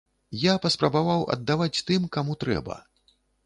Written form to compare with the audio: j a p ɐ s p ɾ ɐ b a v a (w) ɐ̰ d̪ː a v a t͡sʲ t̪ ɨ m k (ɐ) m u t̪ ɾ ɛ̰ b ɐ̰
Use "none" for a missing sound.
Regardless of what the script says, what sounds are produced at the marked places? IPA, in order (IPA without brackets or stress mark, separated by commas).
w, a